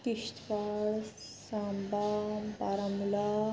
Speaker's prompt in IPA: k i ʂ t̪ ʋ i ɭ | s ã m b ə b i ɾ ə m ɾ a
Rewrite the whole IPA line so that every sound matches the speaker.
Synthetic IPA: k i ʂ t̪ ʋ a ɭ | s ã m b a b a ɾ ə m l a